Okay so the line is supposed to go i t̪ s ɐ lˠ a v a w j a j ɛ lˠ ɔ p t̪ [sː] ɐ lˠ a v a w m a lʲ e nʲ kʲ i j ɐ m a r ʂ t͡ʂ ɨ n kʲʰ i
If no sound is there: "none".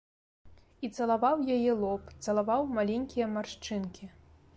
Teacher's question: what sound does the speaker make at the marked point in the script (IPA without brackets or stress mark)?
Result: s